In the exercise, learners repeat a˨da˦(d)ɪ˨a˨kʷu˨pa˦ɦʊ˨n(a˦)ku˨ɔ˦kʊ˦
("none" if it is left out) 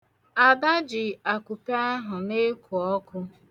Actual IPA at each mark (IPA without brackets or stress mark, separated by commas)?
d͡ʒ, e˦